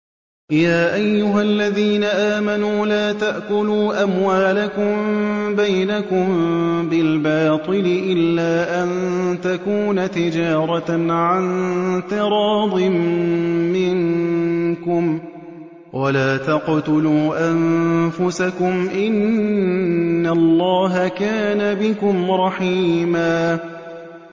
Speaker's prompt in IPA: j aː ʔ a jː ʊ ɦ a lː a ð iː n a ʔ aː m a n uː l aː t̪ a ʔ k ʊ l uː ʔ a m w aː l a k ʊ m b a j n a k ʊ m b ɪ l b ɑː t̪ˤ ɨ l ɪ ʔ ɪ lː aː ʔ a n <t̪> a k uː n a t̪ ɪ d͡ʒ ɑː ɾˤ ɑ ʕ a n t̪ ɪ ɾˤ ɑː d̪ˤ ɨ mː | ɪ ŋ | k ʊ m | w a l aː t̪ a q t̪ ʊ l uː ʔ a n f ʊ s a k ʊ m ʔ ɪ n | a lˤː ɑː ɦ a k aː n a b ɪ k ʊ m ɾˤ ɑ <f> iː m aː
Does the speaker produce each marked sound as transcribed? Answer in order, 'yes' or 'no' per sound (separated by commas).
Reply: yes, no